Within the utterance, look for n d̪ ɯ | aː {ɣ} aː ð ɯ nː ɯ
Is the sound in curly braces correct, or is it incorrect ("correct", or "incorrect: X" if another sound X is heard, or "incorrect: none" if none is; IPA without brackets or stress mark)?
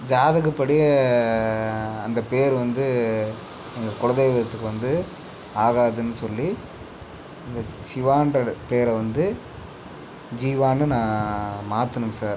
correct